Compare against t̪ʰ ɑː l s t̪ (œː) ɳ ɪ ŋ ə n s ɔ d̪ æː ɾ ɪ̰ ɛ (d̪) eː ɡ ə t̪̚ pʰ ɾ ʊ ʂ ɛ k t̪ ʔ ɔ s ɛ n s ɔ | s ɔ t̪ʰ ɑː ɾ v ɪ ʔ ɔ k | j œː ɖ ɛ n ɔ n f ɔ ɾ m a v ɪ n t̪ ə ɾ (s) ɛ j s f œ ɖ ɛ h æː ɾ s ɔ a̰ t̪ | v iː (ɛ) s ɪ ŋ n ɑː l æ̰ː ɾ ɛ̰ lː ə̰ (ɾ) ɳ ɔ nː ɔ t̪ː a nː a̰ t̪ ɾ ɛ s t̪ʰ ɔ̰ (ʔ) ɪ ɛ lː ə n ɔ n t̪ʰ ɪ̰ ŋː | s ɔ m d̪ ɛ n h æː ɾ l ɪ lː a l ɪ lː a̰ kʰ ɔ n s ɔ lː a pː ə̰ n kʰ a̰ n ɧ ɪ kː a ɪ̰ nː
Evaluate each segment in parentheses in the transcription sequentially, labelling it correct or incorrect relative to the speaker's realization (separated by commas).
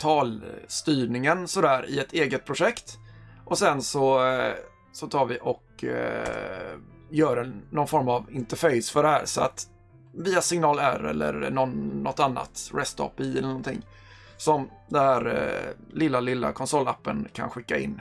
incorrect, incorrect, incorrect, incorrect, correct, incorrect